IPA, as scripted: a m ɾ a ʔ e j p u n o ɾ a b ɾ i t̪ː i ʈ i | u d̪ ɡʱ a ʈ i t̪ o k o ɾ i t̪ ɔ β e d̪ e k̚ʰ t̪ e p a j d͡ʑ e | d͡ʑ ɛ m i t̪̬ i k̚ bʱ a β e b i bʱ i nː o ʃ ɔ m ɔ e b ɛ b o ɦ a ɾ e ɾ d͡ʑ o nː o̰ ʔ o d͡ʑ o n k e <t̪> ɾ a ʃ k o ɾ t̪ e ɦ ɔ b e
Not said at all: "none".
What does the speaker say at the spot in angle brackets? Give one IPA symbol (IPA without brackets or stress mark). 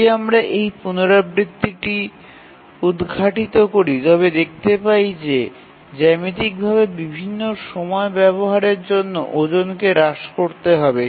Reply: none